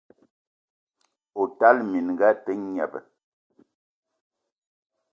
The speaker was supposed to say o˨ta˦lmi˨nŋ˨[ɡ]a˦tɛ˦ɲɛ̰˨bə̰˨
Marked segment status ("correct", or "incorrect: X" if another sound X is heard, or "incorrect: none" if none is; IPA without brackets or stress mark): correct